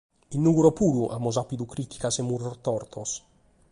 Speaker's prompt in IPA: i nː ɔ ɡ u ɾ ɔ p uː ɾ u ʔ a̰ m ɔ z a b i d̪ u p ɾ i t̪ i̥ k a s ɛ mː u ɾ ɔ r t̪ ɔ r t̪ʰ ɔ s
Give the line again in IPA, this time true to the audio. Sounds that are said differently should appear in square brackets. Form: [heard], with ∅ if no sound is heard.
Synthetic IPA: i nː [u] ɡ u ɾ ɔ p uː ɾ u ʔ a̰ m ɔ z a [p] i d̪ u [k] ɾ i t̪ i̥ k a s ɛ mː u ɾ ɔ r t̪ ɔ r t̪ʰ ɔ s